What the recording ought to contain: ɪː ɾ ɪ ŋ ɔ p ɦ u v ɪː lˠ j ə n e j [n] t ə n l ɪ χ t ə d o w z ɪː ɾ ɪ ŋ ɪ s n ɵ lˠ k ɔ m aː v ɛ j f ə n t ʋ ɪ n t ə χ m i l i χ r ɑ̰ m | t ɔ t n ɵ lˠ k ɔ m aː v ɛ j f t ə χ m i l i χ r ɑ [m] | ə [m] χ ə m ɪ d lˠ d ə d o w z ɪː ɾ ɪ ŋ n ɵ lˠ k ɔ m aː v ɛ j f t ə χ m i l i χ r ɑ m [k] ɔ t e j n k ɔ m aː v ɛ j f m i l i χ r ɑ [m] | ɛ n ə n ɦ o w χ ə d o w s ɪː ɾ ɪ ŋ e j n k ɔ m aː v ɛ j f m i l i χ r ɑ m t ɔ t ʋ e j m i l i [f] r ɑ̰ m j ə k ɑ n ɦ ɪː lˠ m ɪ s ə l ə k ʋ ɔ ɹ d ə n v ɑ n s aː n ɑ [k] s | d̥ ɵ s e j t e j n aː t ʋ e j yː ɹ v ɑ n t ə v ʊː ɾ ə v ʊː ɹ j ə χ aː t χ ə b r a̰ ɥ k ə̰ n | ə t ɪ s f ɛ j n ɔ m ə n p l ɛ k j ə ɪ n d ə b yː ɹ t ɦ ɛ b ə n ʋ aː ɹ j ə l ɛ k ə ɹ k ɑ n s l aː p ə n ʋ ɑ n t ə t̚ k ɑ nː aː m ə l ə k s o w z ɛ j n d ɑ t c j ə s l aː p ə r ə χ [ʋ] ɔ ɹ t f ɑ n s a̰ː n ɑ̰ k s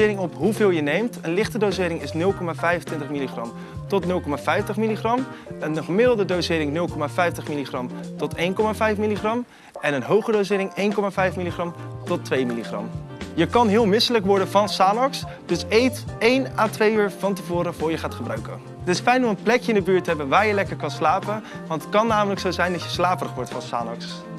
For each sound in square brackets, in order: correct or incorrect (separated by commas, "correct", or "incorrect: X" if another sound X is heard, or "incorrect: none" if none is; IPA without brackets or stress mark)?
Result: incorrect: m, correct, incorrect: n, incorrect: t, correct, incorrect: χ, correct, correct